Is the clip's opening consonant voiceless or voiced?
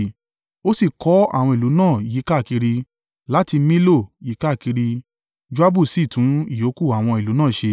voiceless